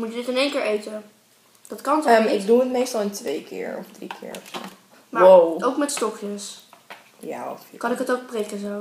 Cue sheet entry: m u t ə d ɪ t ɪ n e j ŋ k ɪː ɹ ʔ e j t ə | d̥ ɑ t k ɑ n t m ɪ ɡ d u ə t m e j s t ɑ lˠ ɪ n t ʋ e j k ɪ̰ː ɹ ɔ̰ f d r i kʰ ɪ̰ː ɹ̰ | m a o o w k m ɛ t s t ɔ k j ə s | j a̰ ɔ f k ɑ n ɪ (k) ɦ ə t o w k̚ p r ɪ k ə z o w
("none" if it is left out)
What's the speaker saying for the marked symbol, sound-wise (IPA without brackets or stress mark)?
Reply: k